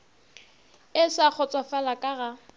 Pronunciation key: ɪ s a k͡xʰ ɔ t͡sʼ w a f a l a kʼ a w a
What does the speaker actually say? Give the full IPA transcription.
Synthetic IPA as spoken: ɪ s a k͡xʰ ɔ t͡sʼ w a f a l a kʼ a ɣ a